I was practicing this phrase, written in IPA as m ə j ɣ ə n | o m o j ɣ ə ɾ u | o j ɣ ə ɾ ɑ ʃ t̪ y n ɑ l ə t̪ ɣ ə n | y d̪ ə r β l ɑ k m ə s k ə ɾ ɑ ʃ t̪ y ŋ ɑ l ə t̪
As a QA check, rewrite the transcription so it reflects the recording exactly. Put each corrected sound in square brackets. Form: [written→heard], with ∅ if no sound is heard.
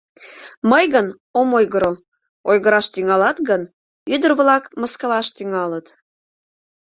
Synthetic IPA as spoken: m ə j ɣ ə n | o m o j ɣ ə ɾ [u→o] | o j ɣ ə ɾ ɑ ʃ t̪ y [n→ŋ] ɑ l [ə→ɑ] t̪ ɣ ə n | y d̪ ə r β l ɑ k m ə s k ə [ɾ→l] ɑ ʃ t̪ y ŋ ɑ l ə t̪